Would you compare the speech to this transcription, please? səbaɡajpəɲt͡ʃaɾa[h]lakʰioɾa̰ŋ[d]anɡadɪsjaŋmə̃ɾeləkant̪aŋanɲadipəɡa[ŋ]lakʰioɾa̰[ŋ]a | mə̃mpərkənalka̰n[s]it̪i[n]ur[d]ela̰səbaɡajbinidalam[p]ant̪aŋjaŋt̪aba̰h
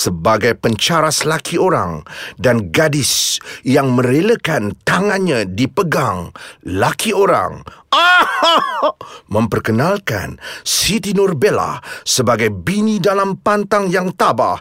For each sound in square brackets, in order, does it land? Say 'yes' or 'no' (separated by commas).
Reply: no, yes, yes, yes, yes, yes, no, yes